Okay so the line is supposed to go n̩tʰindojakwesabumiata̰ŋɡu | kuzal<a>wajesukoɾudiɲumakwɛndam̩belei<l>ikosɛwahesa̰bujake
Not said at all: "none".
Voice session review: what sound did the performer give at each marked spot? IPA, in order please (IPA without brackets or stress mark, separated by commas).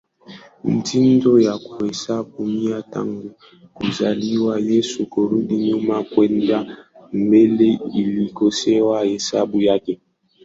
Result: i, l